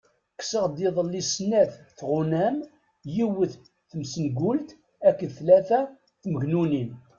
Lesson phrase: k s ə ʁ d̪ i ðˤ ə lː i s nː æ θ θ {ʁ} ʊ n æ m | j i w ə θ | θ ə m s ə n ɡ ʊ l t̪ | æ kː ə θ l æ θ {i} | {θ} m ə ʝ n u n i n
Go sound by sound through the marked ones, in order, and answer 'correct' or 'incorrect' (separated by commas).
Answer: correct, incorrect, correct